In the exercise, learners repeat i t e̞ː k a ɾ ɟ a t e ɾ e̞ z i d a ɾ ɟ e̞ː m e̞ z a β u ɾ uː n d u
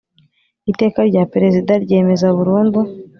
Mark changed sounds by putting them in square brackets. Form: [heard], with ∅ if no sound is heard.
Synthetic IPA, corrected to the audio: i t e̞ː k a ɾ ɟ a [p] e ɾ e̞ z i d a ɾ ɟ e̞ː m e̞ z a β u ɾ uː n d u